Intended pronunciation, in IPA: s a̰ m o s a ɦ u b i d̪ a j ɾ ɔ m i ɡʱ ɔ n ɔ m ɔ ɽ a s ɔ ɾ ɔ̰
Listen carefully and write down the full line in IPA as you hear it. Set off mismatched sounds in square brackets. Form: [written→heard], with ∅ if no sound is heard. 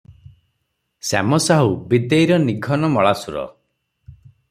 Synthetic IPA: s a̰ m [o→ɔ] s a ɦ u b i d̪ [a→e] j ɾ ɔ [m→n] i ɡʱ ɔ n ɔ m ɔ [ɽ→ɭ] a s [ɔ→u] ɾ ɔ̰